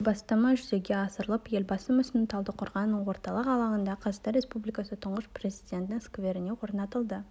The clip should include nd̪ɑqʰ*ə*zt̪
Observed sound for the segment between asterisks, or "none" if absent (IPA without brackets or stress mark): ɑ